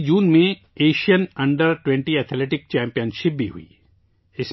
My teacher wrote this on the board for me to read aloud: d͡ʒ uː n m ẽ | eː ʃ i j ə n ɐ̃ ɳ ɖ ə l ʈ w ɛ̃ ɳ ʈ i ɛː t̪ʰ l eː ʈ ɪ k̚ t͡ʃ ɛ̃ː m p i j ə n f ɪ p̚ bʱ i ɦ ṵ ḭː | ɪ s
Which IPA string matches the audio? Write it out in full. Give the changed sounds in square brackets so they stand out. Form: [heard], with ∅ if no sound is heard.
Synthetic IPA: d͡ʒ uː n m ẽ | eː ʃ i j ə n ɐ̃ ɳ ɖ ə [ɾ] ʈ w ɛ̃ ɳ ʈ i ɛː t̪ʰ l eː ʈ ɪ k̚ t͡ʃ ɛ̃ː m p i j ə n [ʃ] ɪ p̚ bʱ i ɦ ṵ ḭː | ɪ s

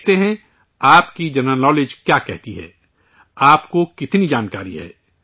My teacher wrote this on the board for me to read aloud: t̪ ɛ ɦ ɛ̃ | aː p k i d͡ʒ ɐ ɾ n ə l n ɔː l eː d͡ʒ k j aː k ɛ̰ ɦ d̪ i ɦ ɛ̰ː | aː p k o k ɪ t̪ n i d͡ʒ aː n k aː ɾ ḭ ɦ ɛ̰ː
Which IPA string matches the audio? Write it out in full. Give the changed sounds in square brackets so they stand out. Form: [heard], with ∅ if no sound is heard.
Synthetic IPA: t̪ [e] ɦ ɛ̃ | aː p k i d͡ʒ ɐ ɾ n ə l n ɔː l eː d͡ʒ k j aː k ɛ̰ ɦ [t̪] i ɦ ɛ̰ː | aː p k o k ɪ t̪ n i d͡ʒ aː n k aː ɾ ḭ ɦ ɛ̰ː

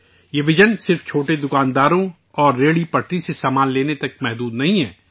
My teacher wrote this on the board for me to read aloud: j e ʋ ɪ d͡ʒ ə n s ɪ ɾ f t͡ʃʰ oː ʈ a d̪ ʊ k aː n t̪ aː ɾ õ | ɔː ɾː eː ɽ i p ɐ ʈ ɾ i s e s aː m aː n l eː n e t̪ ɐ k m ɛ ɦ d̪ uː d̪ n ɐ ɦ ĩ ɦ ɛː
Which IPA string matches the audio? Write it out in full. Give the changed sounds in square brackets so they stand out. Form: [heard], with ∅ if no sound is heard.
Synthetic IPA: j e ʋ ɪ d͡ʒ ə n s ɪ ɾ f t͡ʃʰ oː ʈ [e] d̪ ʊ k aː n [d̪] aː ɾ õ | ɔː ɾː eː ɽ i p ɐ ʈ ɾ i s e s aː m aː n l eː n e t̪ ɐ k m ɛ ɦ d̪ uː d̪ n ɐ ɦ ĩ ɦ ɛː

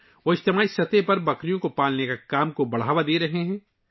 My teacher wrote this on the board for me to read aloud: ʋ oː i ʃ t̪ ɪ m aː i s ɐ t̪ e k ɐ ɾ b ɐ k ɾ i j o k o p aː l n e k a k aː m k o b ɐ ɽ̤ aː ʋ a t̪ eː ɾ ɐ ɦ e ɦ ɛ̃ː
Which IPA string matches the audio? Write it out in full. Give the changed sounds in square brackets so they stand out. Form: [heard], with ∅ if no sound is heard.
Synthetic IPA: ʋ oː [ɪ] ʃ t̪ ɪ m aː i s ɐ t̪ e [p] ɐ ɾ b ɐ k ɾ i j [õ] k o p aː l n e k a k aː m k o b ɐ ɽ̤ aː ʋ a [d̪] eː ɾ ɐ ɦ e ɦ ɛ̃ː

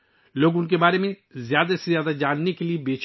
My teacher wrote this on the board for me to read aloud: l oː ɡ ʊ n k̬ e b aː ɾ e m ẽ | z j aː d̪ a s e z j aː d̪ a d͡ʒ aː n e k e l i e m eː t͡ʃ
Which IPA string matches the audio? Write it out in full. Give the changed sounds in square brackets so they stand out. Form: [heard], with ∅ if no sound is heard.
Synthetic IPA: l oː ɡ ʊ n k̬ e b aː ɾ e m ẽ | z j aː d̪ a s e z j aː d̪ a d͡ʒ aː [nː] e k e l i e [b] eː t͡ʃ

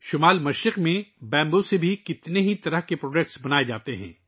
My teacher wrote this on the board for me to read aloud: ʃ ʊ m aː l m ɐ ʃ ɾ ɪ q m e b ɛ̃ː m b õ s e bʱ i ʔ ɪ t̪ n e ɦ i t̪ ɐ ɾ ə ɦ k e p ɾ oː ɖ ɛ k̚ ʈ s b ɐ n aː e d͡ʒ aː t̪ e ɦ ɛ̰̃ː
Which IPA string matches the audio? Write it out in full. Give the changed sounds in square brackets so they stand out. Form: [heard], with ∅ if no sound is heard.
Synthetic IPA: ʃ ʊ m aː l m ɐ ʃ ɾ ɪ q m [ẽ] b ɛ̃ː m b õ s e bʱ i [k] ɪ t̪ n e ɦ i t̪ ɐ ɾ ə ɦ k e p ɾ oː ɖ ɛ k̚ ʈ s b ɐ n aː e d͡ʒ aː t̪ e ɦ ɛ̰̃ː

